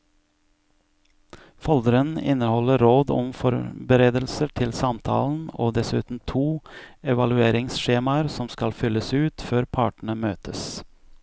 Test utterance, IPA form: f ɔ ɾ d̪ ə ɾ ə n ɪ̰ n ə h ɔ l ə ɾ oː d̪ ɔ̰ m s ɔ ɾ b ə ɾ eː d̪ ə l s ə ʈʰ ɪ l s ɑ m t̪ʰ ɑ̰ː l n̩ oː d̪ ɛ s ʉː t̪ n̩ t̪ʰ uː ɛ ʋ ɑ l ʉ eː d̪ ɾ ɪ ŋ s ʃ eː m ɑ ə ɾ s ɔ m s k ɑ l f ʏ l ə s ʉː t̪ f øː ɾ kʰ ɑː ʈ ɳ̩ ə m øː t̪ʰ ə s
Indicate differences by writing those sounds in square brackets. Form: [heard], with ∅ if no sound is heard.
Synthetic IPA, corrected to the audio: f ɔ [l] d̪ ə ɾ ə n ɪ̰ n ə h ɔ l ə ɾ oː d̪ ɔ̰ m [f] ɔ ɾ b ə ɾ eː d̪ ə l s ə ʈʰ ɪ l s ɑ m t̪ʰ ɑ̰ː l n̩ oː d̪ ɛ s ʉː t̪ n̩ t̪ʰ uː ɛ ʋ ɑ l ʉ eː [∅] ɾ ɪ ŋ s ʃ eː m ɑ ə ɾ s ɔ m s k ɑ l f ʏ l ə s ʉː t̪ f øː ɾ [pʰ] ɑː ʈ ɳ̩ ə m øː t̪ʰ ə s